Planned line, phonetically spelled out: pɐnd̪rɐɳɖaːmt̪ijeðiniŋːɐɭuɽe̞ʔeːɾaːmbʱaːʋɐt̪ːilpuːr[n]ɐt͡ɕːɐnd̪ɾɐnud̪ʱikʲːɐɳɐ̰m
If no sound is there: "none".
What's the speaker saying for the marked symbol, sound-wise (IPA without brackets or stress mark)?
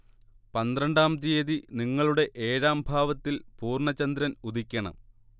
ɳ